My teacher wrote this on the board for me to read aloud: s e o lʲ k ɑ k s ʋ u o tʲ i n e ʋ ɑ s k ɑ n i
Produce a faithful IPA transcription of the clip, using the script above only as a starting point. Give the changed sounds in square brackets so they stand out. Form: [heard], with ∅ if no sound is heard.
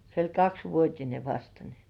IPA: s e o lʲ k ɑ k s ʋ u o tʲ i n e ʋ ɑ s [t] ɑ n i